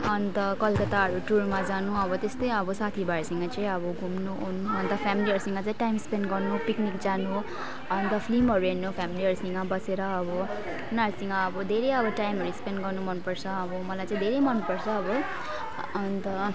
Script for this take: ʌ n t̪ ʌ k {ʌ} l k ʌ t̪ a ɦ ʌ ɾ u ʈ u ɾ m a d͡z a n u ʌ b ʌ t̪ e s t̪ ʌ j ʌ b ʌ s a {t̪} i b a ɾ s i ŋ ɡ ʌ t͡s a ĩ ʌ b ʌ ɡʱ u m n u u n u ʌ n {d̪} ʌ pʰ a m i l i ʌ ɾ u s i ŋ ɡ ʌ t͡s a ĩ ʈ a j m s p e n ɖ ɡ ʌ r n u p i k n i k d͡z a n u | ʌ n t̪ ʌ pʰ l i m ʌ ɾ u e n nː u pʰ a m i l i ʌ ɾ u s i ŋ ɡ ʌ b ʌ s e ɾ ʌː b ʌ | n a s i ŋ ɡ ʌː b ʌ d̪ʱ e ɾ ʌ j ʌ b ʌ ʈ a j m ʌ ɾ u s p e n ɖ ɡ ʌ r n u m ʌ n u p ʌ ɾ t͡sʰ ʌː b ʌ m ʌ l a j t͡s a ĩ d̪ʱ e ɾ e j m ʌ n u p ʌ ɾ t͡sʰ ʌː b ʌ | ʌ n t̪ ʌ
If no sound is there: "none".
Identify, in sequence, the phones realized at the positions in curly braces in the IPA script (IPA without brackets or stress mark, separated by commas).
ʌ, t̪ʰ, t̪